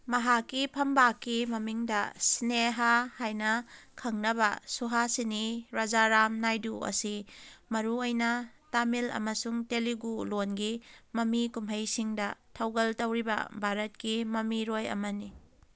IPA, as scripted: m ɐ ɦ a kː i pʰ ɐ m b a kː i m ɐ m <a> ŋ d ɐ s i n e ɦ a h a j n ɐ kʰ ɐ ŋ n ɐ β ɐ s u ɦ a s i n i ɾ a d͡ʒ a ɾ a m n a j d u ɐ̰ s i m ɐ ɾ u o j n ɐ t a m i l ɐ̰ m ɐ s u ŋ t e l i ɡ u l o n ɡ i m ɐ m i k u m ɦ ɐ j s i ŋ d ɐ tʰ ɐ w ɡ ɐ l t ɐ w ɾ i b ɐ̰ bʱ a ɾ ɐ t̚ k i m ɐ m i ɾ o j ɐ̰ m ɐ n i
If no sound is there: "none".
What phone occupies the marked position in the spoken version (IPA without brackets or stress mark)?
i